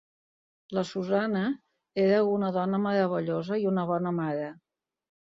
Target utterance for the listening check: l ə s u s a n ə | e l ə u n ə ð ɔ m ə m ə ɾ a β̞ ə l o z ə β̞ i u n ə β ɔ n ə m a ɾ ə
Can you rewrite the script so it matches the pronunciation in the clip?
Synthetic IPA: l ə s u z a n ə | e ɾ ə u n ə ð ɔ n ə m ə ɾ ə β̞ ə ʎ o z ə i u n ə β ɔ n ə m a ɾ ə